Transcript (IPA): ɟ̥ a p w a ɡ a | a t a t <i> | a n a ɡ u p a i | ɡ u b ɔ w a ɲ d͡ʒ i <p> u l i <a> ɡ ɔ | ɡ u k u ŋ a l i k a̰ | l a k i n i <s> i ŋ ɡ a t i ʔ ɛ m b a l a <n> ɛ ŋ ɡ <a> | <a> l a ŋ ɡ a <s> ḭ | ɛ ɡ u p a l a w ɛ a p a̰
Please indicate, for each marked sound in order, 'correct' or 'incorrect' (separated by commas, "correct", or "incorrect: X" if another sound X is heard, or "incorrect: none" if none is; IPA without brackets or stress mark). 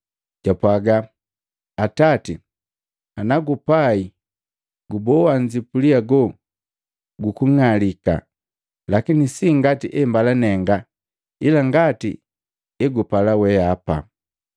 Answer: correct, correct, correct, correct, correct, correct, incorrect: i, incorrect: t